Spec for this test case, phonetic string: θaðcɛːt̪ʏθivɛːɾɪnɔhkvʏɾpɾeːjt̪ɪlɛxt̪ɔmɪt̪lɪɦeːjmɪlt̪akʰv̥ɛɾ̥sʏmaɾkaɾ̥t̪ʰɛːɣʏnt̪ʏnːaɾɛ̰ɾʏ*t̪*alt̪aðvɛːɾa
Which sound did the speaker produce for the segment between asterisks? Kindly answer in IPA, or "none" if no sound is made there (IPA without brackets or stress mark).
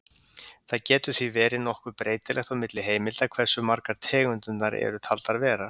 t̪ʰ